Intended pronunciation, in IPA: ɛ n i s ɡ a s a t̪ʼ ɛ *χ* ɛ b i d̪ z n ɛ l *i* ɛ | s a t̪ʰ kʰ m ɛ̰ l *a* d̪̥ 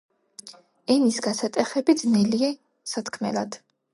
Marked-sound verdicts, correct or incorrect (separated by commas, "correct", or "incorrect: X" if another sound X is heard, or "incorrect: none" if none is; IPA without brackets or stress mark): correct, correct, correct